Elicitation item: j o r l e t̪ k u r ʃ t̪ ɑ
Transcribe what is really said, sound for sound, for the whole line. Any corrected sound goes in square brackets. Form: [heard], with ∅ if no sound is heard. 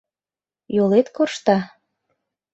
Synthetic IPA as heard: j o [∅] l e t̪ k [o] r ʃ t̪ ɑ